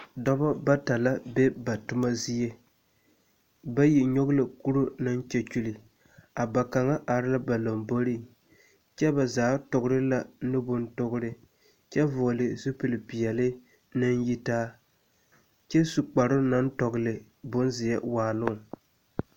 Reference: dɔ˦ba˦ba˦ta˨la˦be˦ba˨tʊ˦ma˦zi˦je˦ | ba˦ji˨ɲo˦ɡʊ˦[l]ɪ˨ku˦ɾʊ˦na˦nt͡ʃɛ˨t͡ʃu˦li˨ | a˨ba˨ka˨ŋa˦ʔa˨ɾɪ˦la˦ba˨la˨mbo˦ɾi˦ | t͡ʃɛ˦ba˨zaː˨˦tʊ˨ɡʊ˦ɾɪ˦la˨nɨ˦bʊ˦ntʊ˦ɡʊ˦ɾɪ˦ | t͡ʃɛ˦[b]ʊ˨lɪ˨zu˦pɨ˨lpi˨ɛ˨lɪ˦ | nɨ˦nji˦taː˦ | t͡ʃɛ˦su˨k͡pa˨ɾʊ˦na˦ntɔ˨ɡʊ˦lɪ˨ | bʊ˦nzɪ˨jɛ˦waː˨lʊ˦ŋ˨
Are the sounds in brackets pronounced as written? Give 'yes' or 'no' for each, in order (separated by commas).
yes, no